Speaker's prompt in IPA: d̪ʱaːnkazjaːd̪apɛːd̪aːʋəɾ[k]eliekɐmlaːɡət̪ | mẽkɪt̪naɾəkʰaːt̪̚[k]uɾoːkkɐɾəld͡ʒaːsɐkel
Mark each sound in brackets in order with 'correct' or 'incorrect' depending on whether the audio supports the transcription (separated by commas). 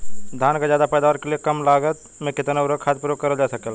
correct, incorrect